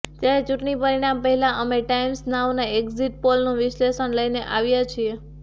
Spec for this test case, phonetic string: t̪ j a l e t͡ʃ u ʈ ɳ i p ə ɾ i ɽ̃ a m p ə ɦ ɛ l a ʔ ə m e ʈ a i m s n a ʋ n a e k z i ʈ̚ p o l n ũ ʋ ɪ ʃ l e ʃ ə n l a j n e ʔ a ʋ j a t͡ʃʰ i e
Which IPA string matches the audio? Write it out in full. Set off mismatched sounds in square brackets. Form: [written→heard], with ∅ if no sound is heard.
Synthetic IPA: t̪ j a [l→ɾ] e t͡ʃ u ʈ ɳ i p ə ɾ i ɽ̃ a m p ə ɦ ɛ l a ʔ ə m e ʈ a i m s n a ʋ n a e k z i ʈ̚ p o l n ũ ʋ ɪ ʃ l e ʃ ə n l [a→ə] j n e ʔ a ʋ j a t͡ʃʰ i e